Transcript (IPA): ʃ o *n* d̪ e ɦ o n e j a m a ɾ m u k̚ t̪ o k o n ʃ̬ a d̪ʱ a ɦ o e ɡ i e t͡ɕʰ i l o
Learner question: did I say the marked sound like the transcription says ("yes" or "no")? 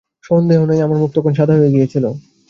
yes